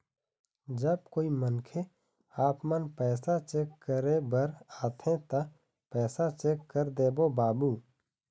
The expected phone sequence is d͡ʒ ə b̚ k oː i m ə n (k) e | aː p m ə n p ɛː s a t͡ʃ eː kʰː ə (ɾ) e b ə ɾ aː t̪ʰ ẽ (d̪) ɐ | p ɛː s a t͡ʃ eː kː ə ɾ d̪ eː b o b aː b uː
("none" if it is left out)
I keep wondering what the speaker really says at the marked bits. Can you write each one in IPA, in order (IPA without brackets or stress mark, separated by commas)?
kʰ, ɾ, t̪